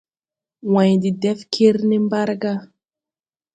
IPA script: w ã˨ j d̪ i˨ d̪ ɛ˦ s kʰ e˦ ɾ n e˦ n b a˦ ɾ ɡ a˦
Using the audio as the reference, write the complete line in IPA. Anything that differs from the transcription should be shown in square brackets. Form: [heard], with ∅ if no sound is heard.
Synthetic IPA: w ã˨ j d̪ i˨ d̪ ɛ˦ [f] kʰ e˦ ɾ n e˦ [m] b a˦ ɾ ɡ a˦